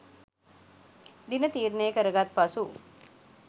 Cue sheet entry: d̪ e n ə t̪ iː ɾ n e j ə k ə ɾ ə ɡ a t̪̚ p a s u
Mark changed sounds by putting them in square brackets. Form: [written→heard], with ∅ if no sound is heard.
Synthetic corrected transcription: d̪ [e→i] n ə t̪ iː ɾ n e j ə k ə ɾ ə ɡ a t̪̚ p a s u